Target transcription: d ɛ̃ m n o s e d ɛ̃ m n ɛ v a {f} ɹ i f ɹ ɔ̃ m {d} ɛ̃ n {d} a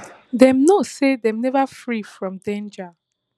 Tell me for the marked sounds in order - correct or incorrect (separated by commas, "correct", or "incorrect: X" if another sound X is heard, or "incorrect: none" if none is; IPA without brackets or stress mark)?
correct, correct, incorrect: d͡ʒ